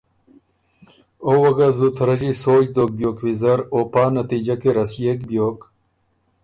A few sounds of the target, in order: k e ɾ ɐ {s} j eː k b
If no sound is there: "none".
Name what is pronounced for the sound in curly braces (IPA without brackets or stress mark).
s